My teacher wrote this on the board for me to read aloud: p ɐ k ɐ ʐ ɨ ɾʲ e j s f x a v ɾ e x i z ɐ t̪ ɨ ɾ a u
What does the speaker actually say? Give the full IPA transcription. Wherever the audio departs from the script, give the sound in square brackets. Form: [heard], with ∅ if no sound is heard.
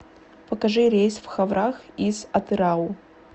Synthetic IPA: p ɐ k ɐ ʐ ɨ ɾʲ e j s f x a v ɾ [a] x i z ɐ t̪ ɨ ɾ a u